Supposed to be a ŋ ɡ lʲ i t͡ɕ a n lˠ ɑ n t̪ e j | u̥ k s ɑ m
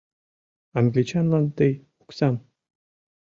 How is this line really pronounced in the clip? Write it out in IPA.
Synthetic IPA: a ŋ ɡ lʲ i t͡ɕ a n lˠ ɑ n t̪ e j | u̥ k s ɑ m